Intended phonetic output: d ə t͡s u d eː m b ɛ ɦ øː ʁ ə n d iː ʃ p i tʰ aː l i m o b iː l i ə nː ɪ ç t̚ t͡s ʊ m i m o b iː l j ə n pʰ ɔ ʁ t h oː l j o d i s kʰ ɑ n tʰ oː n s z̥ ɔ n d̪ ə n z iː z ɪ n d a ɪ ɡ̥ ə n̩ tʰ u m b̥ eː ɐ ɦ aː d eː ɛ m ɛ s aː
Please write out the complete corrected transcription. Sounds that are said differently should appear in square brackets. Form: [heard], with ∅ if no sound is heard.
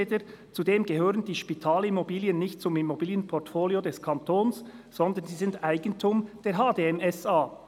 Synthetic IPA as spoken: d ə t͡s u d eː m [ɡ] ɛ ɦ øː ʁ ə n d iː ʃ p i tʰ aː l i m o b iː l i ə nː ɪ ç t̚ t͡s ʊ m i m o b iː l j ə n pʰ ɔ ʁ t [f] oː l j o d [ɛ] s kʰ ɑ n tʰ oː n s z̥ ɔ n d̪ ə n z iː z ɪ n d a ɪ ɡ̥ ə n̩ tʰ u m [d̥] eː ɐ ɦ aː d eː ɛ m ɛ s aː